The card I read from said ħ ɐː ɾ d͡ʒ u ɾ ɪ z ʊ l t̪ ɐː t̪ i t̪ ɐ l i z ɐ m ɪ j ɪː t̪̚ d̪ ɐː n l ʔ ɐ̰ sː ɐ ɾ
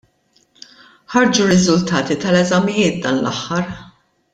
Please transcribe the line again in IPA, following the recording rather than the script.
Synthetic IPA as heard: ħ ɐ ɾ d͡ʒ u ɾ ɪ z ʊ l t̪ ɐː t̪ i t̪ ɐ l ɛ z ɐ m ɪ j ɪː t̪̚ d̪ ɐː n l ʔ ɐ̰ ħː ɐ ɾ